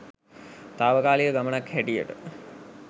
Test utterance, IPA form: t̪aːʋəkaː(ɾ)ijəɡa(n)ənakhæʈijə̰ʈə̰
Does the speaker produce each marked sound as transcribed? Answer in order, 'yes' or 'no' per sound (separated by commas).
no, no